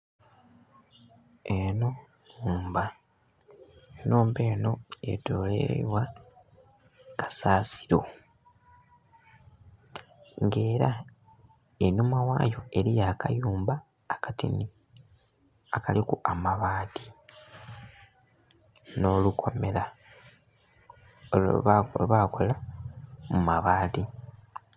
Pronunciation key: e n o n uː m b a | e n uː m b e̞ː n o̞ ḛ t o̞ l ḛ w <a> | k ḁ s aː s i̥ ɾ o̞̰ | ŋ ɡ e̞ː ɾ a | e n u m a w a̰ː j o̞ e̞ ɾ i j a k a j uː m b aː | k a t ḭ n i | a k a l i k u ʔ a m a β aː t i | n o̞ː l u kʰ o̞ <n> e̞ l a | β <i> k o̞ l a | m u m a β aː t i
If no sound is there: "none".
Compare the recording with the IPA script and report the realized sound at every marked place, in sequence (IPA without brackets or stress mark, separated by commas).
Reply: a, m, a